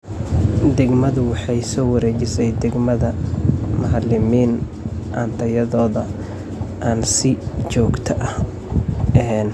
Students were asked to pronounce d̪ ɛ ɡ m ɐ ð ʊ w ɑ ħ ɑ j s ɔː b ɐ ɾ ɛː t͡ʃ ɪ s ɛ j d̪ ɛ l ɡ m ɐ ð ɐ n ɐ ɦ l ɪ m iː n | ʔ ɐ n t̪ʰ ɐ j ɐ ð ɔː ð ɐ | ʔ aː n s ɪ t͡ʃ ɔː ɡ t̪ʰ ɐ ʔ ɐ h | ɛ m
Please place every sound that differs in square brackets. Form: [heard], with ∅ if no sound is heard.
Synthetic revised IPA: d̪ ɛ ɡ m ɐ ð ʊ w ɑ ħ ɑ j s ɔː [w] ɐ ɾ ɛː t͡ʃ ɪ s ɛ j d̪ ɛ [∅] ɡ m ɐ ð ɐ [m] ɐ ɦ l ɪ m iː n | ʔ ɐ n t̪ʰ ɐ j ɐ ð ɔː ð ɐ | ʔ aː n s ɪ t͡ʃ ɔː ɡ t̪ʰ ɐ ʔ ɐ h | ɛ [n]